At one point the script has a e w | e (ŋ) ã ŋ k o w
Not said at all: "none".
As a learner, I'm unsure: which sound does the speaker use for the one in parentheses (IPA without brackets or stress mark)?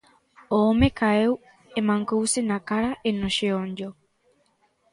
m